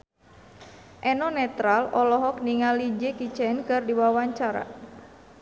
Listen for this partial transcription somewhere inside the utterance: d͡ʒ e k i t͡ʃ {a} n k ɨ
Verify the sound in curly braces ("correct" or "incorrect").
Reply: incorrect